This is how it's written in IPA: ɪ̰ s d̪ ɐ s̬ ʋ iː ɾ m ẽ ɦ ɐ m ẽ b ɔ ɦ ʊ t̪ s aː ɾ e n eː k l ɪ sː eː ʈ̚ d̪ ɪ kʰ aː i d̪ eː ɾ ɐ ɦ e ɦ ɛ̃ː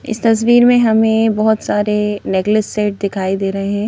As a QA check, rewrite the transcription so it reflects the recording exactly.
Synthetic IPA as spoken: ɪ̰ s t̪ ɐ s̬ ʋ iː ɾ m ẽ ɦ ɐ m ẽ b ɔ ɦ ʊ t̪ s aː ɾ e n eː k l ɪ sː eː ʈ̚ d̪ ɪ kʰ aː i d̪ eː ɾ ɐ ɦ e ɦ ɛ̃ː